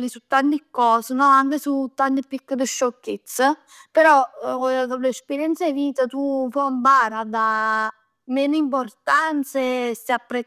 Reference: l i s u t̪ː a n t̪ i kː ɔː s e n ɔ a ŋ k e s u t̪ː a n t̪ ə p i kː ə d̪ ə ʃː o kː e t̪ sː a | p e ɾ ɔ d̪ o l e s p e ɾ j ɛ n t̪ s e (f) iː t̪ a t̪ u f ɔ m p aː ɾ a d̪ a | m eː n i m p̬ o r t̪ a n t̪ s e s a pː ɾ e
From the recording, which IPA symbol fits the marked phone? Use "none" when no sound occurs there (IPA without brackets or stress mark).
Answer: v